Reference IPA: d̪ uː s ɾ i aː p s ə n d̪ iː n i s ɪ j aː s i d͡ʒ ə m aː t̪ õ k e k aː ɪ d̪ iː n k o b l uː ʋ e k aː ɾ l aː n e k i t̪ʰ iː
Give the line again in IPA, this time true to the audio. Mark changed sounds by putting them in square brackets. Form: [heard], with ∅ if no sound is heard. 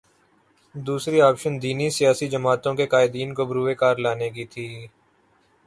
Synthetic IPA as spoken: d̪ uː s ɾ i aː p [ʃ] ə n d̪ iː n i s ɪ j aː s i d͡ʒ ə m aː t̪ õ k e k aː ɪ d̪ iː n k o b [ɾ] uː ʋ e k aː ɾ l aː n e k i t̪ʰ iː